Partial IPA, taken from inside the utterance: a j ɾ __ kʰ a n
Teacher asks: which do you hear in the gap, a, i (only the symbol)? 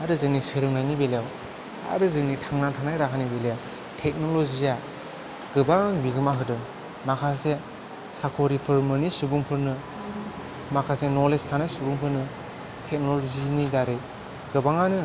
a